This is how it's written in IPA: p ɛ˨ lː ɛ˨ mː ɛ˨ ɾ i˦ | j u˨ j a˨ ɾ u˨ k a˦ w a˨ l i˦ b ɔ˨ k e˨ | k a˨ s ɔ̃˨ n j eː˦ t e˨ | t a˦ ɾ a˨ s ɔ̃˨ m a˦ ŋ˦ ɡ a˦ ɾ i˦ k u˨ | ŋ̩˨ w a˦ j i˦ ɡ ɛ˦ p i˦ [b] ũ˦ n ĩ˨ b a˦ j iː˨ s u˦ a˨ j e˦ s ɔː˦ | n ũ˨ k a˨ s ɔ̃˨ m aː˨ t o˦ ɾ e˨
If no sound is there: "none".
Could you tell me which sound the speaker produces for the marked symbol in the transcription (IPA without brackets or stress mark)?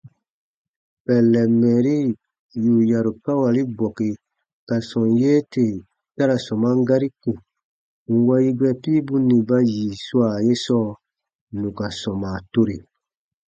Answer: b